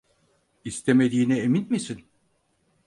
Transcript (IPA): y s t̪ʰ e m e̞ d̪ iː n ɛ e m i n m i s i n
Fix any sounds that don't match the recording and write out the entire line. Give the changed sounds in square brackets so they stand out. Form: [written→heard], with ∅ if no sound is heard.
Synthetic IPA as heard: [y→i] s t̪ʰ e m e̞ d̪ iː n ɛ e m i n m i s i n

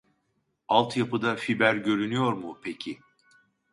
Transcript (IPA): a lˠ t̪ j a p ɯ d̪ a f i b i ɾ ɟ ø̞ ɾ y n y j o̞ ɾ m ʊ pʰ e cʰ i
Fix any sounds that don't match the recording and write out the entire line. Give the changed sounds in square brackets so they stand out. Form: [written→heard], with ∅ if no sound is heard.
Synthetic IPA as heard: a lˠ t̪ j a p ɯ d̪ a f i b [i→æ] ɾ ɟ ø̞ ɾ y n y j o̞ ɾ m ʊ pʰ e cʰ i

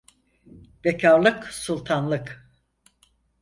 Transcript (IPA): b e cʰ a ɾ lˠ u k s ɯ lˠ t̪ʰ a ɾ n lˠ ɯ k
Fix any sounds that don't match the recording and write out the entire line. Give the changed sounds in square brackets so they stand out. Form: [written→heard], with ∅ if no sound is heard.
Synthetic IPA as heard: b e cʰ a ɾ lˠ [u→ɯ] k s [ɯ→u] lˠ t̪ʰ a [ɾ→∅] n lˠ ɯ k

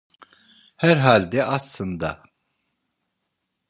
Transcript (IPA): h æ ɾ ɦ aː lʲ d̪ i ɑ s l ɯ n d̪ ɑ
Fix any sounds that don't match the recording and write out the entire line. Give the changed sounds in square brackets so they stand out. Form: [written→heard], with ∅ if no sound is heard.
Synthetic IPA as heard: h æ ɾ ɦ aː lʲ d̪ [i→ɛ] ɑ s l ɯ n d̪ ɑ

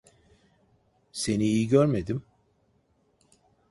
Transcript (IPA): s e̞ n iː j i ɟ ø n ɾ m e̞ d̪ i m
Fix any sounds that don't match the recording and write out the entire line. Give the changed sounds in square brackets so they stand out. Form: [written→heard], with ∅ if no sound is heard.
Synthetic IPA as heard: s e̞ n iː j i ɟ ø [n→∅] ɾ m e̞ d̪ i m

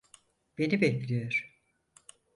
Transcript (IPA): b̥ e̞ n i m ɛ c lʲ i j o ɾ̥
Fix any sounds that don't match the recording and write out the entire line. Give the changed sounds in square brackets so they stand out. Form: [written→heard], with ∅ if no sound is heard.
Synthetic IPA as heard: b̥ e̞ n i [m→b] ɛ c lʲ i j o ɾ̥

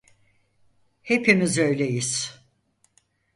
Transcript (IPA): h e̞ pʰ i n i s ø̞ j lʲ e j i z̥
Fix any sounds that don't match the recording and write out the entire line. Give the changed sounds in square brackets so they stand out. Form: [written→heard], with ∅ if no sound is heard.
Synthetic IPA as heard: h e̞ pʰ i [n→m] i [s→z] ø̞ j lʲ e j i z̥

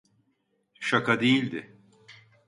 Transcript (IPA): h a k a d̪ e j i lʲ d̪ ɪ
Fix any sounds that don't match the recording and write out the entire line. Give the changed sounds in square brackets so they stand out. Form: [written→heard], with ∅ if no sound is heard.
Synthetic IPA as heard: [h→ʃ] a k a d̪ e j i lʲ d̪ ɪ

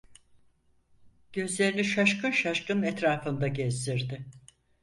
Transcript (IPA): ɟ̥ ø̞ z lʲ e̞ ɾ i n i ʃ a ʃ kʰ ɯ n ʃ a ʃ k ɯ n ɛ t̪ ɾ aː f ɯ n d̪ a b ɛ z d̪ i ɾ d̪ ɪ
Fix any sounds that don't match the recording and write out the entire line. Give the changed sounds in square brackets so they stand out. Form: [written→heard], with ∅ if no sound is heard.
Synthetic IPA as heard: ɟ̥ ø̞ z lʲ e̞ ɾ i n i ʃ a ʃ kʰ ɯ n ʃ a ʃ k ɯ n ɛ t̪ ɾ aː f ɯ n d̪ a [b→ɟ] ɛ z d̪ i ɾ d̪ ɪ

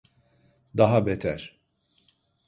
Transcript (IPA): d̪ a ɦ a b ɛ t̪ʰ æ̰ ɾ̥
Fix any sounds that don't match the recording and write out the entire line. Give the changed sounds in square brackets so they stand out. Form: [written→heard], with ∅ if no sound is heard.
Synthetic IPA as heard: d̪ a ɦ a b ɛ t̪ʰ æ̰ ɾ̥

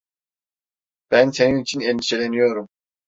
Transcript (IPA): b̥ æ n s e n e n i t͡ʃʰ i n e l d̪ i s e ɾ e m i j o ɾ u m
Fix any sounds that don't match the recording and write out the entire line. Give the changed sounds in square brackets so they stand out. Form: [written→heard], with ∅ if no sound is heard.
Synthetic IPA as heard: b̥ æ n s e n [e→i] n i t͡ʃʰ i n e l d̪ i [s→ʃ] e [ɾ→l] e [m→n] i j o ɾ u m

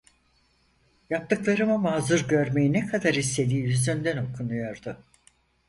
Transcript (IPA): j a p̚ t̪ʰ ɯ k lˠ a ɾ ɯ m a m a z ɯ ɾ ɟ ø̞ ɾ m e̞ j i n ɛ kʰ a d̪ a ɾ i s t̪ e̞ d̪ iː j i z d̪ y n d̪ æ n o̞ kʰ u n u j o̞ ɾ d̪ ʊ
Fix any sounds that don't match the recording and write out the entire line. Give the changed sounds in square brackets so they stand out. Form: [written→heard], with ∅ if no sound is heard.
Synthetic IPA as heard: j a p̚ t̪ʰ ɯ k lˠ a ɾ ɯ m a m a z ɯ ɾ ɟ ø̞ ɾ m e̞ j i n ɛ kʰ a d̪ a ɾ i s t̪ e̞ d̪ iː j [i→y] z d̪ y n d̪ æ n o̞ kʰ u n u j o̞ ɾ d̪ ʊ

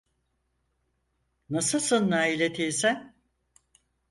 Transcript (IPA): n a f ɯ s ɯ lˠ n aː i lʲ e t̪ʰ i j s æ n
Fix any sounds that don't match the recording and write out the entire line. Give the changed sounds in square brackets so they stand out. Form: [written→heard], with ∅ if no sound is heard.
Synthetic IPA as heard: n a [f→s] ɯ s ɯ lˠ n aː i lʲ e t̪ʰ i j s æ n

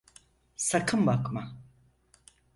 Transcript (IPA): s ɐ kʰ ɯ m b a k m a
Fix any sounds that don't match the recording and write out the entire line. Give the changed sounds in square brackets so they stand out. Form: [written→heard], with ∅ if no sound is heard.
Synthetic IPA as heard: s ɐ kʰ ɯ m b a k m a

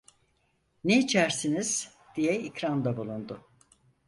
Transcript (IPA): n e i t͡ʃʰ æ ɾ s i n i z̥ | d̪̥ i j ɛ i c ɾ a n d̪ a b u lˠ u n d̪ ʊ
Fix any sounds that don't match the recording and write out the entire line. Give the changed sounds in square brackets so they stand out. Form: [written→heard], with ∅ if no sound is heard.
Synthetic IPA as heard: n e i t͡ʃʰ æ ɾ s i n i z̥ | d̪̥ i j ɛ i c ɾ a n d̪ a b u lˠ u n d̪ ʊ

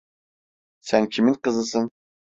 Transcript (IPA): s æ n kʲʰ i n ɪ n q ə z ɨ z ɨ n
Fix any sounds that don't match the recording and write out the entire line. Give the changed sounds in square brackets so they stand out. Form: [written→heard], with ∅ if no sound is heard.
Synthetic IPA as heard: s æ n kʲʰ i [n→m] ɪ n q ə z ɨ [z→s] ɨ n

